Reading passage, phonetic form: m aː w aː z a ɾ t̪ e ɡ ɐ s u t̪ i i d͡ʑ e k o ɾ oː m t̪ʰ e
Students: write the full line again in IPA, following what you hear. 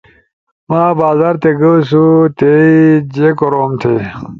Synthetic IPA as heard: m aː b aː z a ɾ t̪ e ɡ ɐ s u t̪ e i d͡ʑ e k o ɾ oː m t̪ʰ e